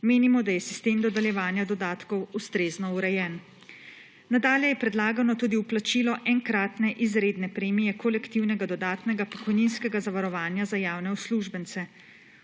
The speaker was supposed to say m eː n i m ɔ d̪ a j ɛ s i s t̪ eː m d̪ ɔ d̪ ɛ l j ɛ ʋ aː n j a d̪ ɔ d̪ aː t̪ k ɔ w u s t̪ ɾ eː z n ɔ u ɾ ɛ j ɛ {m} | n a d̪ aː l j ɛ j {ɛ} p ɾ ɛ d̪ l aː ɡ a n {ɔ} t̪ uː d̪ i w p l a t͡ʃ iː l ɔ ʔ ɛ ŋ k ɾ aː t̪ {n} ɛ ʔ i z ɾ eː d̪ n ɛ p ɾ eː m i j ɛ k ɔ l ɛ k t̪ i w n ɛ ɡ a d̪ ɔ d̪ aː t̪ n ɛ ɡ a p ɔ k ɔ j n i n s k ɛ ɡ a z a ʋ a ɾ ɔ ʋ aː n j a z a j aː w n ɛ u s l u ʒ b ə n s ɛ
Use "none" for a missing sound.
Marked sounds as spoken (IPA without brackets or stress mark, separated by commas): n, ɛ, ɔ, n